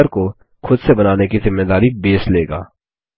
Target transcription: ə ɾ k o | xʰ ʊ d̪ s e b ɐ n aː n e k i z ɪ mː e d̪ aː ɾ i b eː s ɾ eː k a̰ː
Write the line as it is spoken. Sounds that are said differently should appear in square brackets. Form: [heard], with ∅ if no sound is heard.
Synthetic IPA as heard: ə ɾ k o | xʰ ʊ d̪ s e b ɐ n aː n e k i z ɪ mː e d̪ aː ɾ i b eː s [l] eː [ɡ] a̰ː